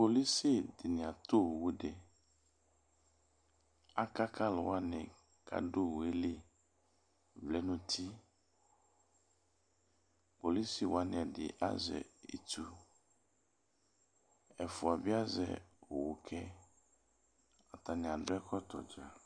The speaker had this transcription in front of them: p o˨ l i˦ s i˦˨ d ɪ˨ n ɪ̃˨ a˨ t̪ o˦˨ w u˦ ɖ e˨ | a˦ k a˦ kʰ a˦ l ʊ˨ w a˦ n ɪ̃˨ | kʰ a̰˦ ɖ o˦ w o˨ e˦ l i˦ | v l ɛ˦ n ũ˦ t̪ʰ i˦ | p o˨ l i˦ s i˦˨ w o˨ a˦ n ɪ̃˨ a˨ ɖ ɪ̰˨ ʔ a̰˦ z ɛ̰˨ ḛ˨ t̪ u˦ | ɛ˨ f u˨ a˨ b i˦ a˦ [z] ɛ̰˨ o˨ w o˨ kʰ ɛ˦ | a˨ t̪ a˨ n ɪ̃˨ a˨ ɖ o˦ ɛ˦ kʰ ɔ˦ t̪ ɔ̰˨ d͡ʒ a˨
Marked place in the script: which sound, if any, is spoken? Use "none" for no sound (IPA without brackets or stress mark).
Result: z